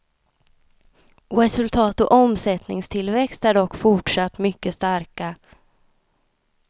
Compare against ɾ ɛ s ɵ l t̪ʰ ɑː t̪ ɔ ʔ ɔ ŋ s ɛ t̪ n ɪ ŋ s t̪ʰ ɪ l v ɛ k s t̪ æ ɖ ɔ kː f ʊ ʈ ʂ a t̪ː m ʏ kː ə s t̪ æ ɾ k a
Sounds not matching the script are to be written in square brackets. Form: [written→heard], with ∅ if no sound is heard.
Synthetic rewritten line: ɾ ɛ s ɵ l t̪ʰ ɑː t̪ ɔ ʔ ɔ [ŋ→m] s ɛ t̪ n ɪ ŋ s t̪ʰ ɪ l v ɛ k s t̪ æ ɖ ɔ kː f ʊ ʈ ʂ a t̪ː m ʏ kː ə s t̪ [æ→a] ɾ k a

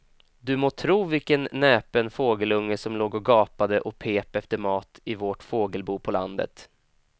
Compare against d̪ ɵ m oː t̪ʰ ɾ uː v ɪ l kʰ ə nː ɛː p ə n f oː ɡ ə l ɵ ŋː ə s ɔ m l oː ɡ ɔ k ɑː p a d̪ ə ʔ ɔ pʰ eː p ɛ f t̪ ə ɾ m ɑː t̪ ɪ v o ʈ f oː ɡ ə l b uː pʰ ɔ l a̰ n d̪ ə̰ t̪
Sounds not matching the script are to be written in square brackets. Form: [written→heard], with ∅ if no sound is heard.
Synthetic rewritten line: d̪ ɵ m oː t̪ʰ ɾ uː v ɪ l [kʰ→k] ə nː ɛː p ə n f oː ɡ ə l ɵ ŋː ə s ɔ m l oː ɡ ɔ [k→ɡ] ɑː p a d̪ ə ʔ ɔ pʰ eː p ɛ f t̪ ə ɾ m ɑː t̪ ɪ v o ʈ f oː ɡ ə l b uː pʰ ɔ l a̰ n d̪ ə̰ t̪

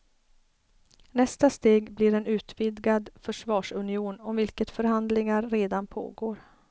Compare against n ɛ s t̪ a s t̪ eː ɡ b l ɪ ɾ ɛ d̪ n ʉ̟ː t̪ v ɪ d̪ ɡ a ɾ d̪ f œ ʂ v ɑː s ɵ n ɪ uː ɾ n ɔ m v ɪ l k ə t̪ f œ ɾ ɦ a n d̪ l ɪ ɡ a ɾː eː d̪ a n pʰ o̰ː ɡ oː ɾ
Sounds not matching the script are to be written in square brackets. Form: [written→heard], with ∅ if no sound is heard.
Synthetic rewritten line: n ɛ s t̪ a s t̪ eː ɡ b l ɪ ɾ ɛ [d̪→∅] n ʉ̟ː t̪ v ɪ d̪ ɡ a [ɾ→∅] d̪ f œ ʂ v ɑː [s→ʂ] ɵ n ɪ uː [ɾ→∅] n ɔ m v ɪ l k ə t̪ f œ ɾ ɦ a n d̪ l ɪ [ɡ→ŋ] a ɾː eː d̪ a n pʰ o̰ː ɡ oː ɾ

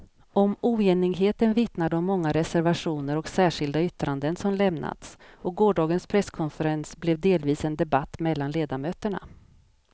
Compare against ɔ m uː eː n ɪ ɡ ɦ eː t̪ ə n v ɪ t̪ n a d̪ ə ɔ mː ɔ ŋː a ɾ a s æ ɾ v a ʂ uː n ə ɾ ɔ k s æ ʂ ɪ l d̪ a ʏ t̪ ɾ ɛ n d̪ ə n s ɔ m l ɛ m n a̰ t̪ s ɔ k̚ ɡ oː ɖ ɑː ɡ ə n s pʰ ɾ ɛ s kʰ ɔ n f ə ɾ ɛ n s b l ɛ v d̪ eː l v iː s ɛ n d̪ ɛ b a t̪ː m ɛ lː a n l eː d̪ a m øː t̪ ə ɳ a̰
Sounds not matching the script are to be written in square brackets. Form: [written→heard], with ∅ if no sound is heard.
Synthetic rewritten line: ɔ m uː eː n ɪ ɡ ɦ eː t̪ ə n v ɪ t̪ n a d̪ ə ɔ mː ɔ ŋː a ɾ [a→ɛ] s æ ɾ v a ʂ uː n ə ɾ ɔ k s [æ→æː] ʂ ɪ l d̪ a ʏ t̪ ɾ [ɛ→a] n d̪ ə n s ɔ m l ɛ m n a̰ t̪ s ɔ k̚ ɡ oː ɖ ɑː ɡ ə n s pʰ ɾ ɛ s kʰ ɔ n f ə ɾ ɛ n s b l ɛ v d̪ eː l v iː s ɛ n d̪ ɛ b a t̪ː m ɛ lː a n l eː d̪ a m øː t̪ ə ɳ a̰

